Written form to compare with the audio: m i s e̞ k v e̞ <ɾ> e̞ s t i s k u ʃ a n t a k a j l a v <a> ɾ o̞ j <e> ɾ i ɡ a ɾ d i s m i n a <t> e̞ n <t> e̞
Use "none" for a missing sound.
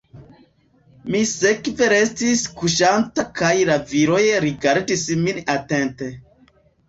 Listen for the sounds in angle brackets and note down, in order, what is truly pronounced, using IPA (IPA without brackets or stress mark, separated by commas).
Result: ɾ, i, e, t, t